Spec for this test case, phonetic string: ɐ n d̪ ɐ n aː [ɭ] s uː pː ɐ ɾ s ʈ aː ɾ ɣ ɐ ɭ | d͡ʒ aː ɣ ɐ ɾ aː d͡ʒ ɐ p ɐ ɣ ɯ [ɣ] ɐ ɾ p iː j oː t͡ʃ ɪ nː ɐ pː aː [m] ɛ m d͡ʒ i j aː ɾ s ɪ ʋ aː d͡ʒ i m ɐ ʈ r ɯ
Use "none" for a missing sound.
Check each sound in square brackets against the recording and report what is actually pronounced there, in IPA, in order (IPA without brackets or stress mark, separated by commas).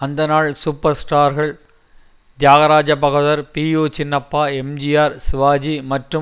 ɭ, ð, none